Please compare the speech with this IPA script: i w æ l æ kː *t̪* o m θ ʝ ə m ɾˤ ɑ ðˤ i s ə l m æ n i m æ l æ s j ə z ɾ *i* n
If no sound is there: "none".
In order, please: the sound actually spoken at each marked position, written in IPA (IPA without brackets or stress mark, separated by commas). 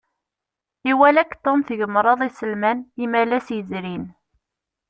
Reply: t̪, i